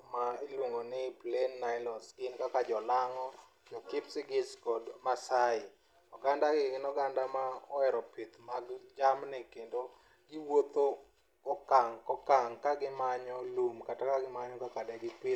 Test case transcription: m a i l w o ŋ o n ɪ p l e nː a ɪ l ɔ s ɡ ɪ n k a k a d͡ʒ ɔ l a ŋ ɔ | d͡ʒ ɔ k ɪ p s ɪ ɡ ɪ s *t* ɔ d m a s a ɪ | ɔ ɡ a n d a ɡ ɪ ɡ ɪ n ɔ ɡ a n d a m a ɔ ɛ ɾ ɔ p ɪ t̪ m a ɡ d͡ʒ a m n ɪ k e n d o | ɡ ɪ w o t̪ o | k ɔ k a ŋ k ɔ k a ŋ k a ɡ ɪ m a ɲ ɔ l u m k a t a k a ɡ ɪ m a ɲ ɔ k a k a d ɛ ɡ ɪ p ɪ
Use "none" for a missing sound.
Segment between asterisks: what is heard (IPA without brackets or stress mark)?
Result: k